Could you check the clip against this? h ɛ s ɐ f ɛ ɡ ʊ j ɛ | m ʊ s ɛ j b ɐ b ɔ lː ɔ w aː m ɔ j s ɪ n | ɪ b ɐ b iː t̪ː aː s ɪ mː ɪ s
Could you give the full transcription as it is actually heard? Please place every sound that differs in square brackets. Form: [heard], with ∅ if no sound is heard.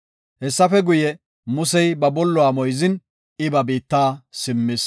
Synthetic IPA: h ɛ [sː] ɐ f ɛ ɡ ʊ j ɛ | m ʊ s ɛ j b ɐ b ɔ lː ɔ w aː m ɔ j [z] ɪ n | ɪ b ɐ b iː t̪ː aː s ɪ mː ɪ s

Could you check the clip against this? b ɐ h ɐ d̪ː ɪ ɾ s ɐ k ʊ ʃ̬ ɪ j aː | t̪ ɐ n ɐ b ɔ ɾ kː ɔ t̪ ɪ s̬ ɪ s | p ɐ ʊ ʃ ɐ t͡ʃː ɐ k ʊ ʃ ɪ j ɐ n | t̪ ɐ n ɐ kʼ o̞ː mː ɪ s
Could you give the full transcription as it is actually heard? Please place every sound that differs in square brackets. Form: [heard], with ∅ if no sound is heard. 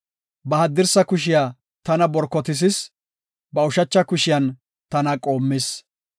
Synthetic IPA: b ɐ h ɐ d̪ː ɪ ɾ s ɐ k ʊ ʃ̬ ɪ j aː | t̪ ɐ n ɐ b ɔ ɾ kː ɔ t̪ ɪ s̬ ɪ s | [b] ɐ ʊ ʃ ɐ t͡ʃː ɐ k ʊ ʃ ɪ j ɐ n | t̪ ɐ n ɐ kʼ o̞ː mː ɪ s

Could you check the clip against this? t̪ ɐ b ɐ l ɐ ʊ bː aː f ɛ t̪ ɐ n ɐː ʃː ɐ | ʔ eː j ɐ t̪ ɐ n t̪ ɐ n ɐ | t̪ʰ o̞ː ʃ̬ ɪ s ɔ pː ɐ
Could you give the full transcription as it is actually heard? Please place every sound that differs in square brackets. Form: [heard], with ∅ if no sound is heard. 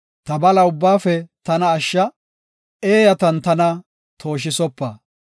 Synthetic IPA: t̪ ɐ b ɐ l ɐ ʊ bː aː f ɛ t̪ ɐ n ɐː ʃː ɐ | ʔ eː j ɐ t̪ ɐ n t̪ ɐ n ɐ | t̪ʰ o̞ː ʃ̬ ɪ s ɔ pː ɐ

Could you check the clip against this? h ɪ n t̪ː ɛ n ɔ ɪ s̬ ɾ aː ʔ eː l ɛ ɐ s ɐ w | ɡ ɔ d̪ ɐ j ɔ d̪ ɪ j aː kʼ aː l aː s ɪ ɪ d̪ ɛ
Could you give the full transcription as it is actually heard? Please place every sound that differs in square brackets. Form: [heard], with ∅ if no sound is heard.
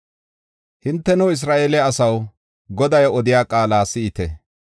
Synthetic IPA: h ɪ n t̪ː ɛ n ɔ ɪ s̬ ɾ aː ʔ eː l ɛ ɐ s ɐ w | ɡ ɔ d̪ ɐ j ɔ d̪ ɪ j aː kʼ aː l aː s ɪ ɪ [t̪] ɛ

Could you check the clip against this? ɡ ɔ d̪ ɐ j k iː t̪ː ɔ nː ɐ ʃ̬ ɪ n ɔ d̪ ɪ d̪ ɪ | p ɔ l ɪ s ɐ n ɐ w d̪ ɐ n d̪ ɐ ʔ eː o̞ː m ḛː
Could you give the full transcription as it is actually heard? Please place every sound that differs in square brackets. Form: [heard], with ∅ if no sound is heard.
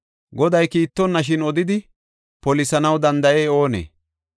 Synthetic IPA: ɡ ɔ d̪ ɐ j k iː t̪ː ɔ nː ɐ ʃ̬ ɪ n ɔ d̪ ɪ d̪ ɪ | p ɔ l ɪ s ɐ n ɐ w d̪ ɐ n d̪ ɐ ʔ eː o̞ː [n] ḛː

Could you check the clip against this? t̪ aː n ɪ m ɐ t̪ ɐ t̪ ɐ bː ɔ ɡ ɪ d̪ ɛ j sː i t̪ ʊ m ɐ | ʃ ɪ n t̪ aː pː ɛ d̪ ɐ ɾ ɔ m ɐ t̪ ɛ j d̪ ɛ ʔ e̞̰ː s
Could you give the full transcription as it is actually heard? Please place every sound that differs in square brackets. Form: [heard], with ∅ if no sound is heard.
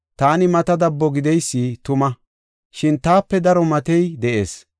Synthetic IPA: t̪ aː n ɪ m ɐ t̪ ɐ [d̪] ɐ bː ɔ ɡ ɪ d̪ ɛ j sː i t̪ ʊ m ɐ | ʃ ɪ n t̪ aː pː ɛ d̪ ɐ ɾ ɔ m ɐ t̪ ɛ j d̪ ɛ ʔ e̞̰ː s

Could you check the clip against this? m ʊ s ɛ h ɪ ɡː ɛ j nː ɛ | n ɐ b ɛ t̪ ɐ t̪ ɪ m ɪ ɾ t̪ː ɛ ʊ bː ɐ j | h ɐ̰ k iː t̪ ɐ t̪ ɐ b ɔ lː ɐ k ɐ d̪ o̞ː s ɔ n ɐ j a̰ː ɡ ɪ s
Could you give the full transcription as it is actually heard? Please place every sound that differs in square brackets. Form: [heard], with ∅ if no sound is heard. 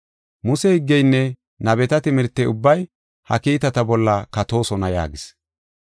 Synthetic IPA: m ʊ s ɛ h ɪ ɡː ɛ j nː ɛ | n ɐ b ɛ t̪ ɐ t̪ ɪ m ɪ ɾ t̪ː ɛ ʊ bː ɐ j | h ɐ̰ k iː t̪ ɐ t̪ ɐ b ɔ lː ɐ k ɐ [t̪] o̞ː s ɔ n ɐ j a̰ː ɡ ɪ s

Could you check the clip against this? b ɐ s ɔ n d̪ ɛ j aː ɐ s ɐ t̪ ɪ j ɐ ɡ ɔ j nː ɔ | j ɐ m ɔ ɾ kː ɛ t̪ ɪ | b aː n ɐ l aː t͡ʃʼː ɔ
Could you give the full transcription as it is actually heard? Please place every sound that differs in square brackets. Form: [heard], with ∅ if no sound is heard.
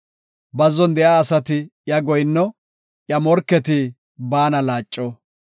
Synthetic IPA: b ɐ [z] ɔ n d̪ ɛ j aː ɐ s ɐ t̪ ɪ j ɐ ɡ ɔ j nː ɔ | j ɐ m ɔ ɾ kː ɛ t̪ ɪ | b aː n ɐ l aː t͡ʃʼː ɔ

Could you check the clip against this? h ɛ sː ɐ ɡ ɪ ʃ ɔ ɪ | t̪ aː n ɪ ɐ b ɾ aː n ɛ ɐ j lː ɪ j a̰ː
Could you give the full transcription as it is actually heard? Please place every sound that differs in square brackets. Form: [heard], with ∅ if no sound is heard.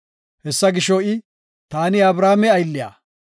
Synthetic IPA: h ɛ sː ɐ ɡ ɪ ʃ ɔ ɪ | t̪ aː n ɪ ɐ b ɾ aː [m] ɛ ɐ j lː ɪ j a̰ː

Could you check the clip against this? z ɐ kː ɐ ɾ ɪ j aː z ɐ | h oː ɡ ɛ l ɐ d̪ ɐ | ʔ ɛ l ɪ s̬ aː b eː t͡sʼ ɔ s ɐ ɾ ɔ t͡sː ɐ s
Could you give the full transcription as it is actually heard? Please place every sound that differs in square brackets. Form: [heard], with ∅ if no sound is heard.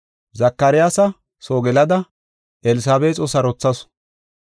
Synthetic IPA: z ɐ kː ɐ ɾ ɪ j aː [s] ɐ | [s] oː ɡ ɛ l ɐ d̪ ɐ | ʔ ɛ l ɪ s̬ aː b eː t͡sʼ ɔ s ɐ ɾ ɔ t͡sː ɐ s

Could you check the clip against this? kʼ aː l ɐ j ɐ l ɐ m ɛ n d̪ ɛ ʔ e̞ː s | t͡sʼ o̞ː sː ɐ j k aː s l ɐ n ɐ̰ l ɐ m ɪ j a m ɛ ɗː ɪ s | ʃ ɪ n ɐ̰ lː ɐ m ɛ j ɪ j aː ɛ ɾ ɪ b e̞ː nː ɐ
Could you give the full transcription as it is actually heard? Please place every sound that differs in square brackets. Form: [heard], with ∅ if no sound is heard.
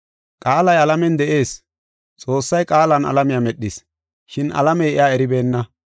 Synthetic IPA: kʼ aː l ɐ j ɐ l ɐ m ɛ n d̪ ɛ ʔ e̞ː s | t͡sʼ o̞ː sː ɐ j [kʼ] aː [∅] l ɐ n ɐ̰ l ɐ m ɪ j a m ɛ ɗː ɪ s | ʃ ɪ n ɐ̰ [l] ɐ m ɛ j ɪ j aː ɛ ɾ ɪ b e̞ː nː ɐ

